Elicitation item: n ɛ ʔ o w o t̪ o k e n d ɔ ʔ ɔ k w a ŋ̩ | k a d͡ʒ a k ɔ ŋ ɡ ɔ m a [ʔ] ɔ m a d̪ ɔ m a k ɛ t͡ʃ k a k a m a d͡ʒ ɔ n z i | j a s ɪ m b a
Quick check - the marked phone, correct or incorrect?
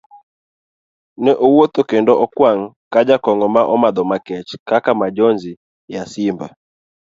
correct